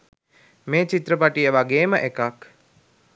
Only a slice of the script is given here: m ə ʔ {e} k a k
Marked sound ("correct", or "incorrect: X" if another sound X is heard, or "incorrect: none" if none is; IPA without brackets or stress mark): correct